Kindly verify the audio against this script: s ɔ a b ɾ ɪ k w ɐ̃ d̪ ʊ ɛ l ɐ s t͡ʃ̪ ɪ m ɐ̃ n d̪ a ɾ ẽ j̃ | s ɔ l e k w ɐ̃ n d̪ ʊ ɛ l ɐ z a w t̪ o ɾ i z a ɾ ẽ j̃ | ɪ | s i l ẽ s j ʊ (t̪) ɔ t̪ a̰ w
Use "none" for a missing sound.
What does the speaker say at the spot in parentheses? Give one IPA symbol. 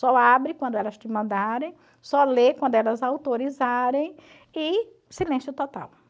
t̪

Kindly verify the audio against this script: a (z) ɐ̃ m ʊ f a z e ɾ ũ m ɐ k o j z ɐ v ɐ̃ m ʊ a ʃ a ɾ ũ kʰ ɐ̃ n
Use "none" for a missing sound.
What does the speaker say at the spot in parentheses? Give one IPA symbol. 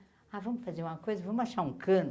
v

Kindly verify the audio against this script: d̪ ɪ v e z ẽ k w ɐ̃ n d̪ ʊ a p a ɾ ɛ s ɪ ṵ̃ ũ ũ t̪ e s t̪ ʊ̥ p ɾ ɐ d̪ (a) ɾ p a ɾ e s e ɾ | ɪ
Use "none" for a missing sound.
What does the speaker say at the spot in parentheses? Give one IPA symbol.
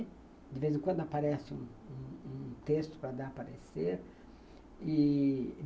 a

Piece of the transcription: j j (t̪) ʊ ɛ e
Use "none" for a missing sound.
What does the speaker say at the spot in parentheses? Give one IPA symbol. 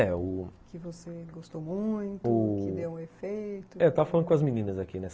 t̪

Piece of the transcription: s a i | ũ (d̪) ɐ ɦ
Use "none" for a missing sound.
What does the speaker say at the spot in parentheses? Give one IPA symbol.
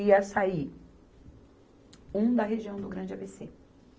d̪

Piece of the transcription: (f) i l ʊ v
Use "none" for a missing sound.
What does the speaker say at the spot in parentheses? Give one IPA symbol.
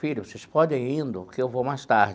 f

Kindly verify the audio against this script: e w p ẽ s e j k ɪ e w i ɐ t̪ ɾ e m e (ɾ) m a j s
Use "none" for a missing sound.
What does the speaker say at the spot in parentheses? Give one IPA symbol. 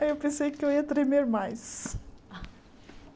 ɾ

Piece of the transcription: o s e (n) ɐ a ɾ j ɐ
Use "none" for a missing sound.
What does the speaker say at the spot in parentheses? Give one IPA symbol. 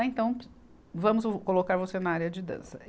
n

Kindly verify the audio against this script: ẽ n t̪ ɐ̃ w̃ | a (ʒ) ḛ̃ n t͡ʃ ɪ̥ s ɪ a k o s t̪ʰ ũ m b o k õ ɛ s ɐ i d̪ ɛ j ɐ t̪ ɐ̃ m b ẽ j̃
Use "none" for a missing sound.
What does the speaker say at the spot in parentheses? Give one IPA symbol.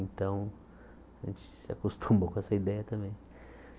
ʒ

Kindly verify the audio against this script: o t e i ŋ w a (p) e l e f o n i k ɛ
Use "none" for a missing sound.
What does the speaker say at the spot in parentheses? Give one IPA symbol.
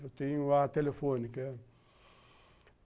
t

